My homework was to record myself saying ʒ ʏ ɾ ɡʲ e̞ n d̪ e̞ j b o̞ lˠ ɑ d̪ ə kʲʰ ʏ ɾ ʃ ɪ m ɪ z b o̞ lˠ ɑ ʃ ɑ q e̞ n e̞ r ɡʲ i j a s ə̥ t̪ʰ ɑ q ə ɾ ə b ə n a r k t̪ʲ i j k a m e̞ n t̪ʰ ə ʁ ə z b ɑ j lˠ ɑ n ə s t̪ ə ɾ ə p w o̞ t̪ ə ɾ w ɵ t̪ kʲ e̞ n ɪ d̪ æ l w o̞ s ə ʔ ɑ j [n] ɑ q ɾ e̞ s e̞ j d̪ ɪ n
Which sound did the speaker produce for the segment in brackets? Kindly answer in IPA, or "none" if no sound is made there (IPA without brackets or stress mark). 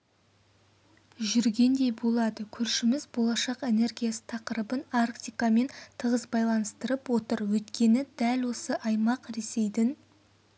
m